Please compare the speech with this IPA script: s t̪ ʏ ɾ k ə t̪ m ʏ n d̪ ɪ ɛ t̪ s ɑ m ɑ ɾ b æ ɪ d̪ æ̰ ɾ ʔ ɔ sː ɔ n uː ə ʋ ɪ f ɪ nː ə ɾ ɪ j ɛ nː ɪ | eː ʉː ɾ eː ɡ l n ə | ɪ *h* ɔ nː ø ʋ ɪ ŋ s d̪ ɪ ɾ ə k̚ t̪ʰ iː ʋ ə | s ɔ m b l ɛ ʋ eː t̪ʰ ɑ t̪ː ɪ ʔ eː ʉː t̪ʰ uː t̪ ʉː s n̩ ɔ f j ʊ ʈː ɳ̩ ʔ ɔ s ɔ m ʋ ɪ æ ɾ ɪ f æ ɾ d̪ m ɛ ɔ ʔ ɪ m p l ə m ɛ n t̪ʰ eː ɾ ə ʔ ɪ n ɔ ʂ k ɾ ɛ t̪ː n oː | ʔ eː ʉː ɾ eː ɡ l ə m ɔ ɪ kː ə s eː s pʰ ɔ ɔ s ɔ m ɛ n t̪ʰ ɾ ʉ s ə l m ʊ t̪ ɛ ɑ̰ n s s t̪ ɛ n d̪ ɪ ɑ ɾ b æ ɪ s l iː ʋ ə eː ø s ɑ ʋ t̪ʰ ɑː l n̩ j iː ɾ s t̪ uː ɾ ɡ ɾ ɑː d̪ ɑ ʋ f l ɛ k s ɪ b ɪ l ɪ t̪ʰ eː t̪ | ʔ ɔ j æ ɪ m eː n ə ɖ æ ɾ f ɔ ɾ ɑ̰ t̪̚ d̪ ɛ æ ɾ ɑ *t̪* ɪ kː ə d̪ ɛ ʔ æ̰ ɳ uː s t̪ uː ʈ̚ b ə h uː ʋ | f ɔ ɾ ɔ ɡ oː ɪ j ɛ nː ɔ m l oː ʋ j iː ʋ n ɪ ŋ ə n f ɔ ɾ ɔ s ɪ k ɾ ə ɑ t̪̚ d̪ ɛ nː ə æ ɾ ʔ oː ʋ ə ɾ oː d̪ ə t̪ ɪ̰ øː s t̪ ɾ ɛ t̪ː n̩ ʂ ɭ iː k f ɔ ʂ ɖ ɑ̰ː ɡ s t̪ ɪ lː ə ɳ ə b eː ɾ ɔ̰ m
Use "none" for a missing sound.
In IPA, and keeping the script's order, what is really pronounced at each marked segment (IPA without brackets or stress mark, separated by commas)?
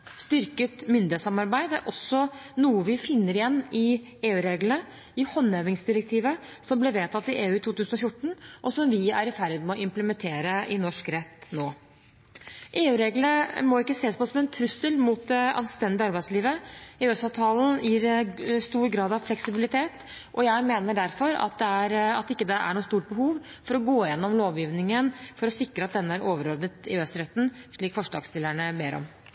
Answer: h, t̪